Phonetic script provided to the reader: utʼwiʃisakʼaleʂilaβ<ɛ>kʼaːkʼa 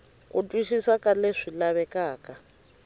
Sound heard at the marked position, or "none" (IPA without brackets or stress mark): ɛ